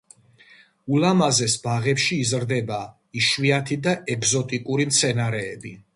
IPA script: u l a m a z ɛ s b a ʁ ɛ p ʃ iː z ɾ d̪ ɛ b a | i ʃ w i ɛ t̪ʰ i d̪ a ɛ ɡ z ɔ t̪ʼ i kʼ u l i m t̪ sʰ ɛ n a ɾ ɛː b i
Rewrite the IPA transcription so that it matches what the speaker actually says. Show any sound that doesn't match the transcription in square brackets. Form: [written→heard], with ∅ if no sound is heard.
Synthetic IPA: u l a m a z ɛ s b a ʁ ɛ p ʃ iː z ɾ d̪ ɛ b a | i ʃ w i [ɛ→a] t̪ʰ i d̪ a ɛ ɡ z ɔ t̪ʼ i kʼ u [l→ɾ] i m t̪ sʰ ɛ n a ɾ ɛː b i